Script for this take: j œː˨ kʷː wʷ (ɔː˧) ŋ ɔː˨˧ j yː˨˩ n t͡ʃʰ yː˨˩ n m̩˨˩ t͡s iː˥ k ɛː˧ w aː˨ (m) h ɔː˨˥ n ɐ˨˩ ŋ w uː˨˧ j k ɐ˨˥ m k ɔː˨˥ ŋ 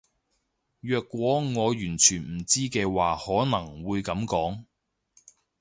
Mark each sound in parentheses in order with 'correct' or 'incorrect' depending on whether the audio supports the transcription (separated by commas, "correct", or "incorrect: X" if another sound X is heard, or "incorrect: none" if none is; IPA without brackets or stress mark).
incorrect: ɔː˨˥, incorrect: none